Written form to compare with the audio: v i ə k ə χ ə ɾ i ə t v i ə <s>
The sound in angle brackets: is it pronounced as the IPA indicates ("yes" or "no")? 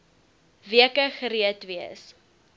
yes